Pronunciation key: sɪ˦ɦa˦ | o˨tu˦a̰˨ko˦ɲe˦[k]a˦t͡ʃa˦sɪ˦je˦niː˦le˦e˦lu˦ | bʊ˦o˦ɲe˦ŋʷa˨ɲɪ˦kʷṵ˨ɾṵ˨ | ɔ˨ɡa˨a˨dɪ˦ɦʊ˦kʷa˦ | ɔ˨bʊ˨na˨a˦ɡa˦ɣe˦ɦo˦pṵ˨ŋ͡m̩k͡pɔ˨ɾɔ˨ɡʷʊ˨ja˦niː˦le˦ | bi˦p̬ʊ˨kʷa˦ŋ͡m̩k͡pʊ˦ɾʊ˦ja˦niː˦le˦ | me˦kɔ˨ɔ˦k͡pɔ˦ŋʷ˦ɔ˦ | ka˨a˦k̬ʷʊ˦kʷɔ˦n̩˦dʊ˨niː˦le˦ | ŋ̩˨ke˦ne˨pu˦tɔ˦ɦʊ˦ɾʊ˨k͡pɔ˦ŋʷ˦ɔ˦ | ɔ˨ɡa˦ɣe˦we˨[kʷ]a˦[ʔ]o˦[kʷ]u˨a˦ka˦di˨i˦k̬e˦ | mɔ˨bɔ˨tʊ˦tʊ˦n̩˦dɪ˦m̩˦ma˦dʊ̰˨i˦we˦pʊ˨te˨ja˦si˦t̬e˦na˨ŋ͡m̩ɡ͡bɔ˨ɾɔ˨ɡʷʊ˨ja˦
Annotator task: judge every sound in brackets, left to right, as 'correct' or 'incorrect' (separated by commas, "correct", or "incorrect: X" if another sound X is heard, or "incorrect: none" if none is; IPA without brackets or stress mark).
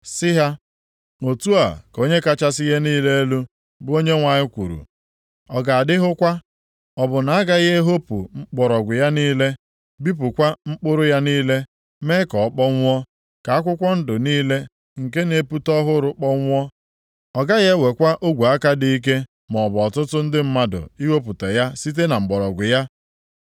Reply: correct, correct, correct, incorrect: ɡʷ